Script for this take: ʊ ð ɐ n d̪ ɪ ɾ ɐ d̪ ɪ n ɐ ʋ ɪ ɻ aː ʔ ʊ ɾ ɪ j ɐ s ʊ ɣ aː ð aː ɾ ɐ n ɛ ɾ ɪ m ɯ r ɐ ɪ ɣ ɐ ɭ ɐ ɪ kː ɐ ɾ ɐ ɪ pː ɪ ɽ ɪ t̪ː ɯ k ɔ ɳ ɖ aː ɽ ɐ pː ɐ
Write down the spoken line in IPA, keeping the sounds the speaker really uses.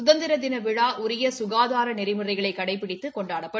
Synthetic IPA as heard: ʊ ð ɐ n d̪ ɪ ɾ ɐ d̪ ɪ n ɐ ʋ ɪ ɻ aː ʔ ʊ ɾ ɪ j ɐ s ʊ ɣ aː ð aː ɾ ɐ n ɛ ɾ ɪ m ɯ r ɐ ɪ ɣ ɐ ɭ ɐ ɪ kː ɐ ɽ ɐ ɪ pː ɪ ɽ ɪ t̪ː ɯ k ɔ ɳ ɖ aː ɽ ɐ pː ɐ